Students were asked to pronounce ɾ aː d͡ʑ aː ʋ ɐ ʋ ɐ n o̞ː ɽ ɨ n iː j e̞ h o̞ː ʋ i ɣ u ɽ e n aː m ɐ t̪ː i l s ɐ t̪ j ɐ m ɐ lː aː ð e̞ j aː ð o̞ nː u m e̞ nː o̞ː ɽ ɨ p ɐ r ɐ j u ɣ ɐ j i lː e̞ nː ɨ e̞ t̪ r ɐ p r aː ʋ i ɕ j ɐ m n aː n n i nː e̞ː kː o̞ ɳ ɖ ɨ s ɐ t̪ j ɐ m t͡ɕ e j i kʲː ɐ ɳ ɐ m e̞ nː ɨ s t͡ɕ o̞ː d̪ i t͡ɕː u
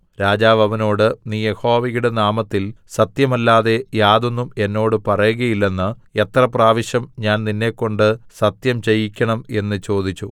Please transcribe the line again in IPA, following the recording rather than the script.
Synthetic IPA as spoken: ɾ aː d͡ʑ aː ʋ ɐ ʋ ɐ n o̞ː ɽ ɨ n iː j e̞ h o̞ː ʋ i ɣ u ɽ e n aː m ɐ t̪ː i l s ɐ t̪ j ɐ m ɐ lː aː ð e̞ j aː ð o̞ nː u m e̞ nː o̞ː ɽ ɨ p ɐ r ɐ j u ɣ ɐ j i lː e̞ nː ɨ e̞ t̪ r ɐ p r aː ʋ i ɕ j ɐ m ɲ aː n n i nː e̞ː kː o̞ ɳ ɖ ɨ s ɐ t̪ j ɐ m t͡ɕ e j i kʲː ɐ ɳ ɐ m e̞ nː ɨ t͡ɕ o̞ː d̪ i t͡ɕː u

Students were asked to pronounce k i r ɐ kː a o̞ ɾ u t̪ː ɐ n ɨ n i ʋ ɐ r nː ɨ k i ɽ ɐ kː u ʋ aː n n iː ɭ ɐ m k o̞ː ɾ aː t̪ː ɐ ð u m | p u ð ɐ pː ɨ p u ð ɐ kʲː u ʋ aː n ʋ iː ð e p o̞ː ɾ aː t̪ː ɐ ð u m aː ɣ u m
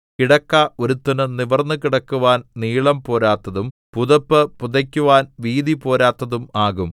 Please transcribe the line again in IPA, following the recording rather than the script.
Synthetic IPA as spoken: k i ɽ ɐ kː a o̞ ɾ u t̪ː ɐ n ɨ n i ʋ ɐ r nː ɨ k i ɽ ɐ kː u ʋ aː n n iː ɭ ɐ m p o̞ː ɾ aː t̪ː ɐ ð u m | p u ð ɐ pː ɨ p u ð ɐ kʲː u ʋ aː n ʋ iː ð i p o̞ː ɾ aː t̪ː ɐ ð u m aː ɣ u m

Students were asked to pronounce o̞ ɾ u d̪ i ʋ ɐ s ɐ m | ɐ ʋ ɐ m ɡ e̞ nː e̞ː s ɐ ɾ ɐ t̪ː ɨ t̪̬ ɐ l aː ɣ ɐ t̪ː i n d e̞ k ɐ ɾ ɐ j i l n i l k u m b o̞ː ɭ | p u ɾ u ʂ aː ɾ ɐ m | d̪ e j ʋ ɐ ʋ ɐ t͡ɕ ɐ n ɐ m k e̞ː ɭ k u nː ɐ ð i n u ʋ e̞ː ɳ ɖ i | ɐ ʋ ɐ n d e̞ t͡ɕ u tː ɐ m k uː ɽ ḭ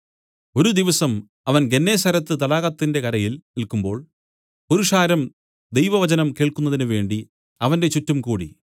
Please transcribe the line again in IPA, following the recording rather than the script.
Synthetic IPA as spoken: o̞ ɾ u d̪ i ʋ ɐ s ɐ m | ɐ ʋ ɐ n ɡ e̞ nː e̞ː s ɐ ɾ ɐ t̪ː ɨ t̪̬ ɐ l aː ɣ ɐ t̪ː i n d e̞ k ɐ ɾ ɐ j i l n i l k u m b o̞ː ɭ | p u ɾ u ʂ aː ɾ ɐ m | d̪ e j ʋ ɐ ʋ ɐ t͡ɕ ɐ n ɐ m k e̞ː ɭ k u nː ɐ ð i n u ʋ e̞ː ɳ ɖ i | ɐ ʋ ɐ n d e̞ t͡ɕ u tː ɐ m k uː ɽ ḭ

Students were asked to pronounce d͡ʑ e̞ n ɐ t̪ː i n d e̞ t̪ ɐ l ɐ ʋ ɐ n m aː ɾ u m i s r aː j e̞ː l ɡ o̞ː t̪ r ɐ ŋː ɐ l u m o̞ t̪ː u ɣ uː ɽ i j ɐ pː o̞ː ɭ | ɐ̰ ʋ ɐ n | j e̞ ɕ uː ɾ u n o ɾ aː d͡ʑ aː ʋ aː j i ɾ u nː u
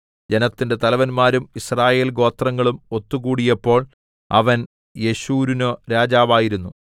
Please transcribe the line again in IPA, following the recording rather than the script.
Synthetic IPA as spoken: d͡ʑ e̞ n ɐ t̪ː i n d e̞ t̪ ɐ l ɐ ʋ ɐ n m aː ɾ u m i s r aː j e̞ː l ɡ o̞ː t̪ r ɐ ŋː ɐ ɭ u m o̞ t̪ː u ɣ uː ɽ i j ɐ pː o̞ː ɭ | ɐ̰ ʋ ɐ n | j e̞ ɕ uː ɾ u n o ɾ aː d͡ʑ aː ʋ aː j i ɾ u nː u

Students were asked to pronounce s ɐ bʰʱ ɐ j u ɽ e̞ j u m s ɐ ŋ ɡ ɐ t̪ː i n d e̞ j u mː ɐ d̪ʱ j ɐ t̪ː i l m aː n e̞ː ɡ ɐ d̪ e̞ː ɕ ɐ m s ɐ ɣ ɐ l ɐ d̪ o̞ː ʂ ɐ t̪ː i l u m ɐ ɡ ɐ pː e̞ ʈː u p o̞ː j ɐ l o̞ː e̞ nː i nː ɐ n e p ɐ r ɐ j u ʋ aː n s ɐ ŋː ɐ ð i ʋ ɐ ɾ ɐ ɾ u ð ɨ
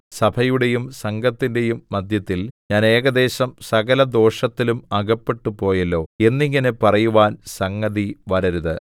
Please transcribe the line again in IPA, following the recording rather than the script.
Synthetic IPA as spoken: s ɐ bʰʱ ɐ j u ɽ e̞ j u m s ɐ ŋ ɡ ɐ t̪ː i n d e̞ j u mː ɐ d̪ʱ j ɐ t̪ː i l ɲ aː n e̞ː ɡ ɐ d̪ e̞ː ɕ ɐ m s ɐ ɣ ɐ l ɐ d̪ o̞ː ʂ ɐ t̪ː i l u m ɐ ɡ ɐ pː e̞ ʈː u p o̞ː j ɐ lː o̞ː e̞ nː i ŋː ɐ n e p ɐ r ɐ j u ʋ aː n s ɐ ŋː ɐ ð i ʋ ɐ ɾ ɐ ɾ u ð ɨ

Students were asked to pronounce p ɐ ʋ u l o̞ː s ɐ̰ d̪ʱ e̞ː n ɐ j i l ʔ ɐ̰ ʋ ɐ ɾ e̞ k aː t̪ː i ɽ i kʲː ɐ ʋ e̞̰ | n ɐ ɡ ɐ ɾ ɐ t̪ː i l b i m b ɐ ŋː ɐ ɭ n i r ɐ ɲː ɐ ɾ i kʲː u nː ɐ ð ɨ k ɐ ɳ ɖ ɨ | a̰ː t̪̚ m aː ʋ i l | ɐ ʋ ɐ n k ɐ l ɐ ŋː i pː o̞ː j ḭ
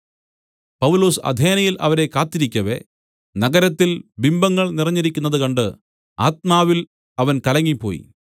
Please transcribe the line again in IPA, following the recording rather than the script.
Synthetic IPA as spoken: p ɐ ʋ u l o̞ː s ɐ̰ d̪ʱ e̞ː n ɐ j i l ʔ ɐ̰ ʋ ɐ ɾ e̞ k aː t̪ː i ɾ i kʲː ɐ ʋ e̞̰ | n ɐ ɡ ɐ ɾ ɐ t̪ː i l b i m b ɐ ŋː ɐ ɭ n i r ɐ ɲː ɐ ɾ i kʲː u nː ɐ ð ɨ k ɐ ɳ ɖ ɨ | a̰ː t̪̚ m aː ʋ i l | ɐ ʋ ɐ n k ɐ l ɐ ŋː i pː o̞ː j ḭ

